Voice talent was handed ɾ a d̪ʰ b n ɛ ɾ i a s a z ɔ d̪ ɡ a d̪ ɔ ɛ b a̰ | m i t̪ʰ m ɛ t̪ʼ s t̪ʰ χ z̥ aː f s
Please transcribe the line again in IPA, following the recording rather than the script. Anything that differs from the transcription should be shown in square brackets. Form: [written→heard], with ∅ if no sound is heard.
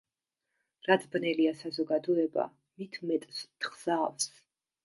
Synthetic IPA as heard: ɾ a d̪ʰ b n ɛ [ɾ→l] i a s a z ɔ [d̪→∅] ɡ a d̪ ɔ ɛ b a̰ | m i t̪ʰ m ɛ t̪ʼ s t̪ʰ χ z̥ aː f s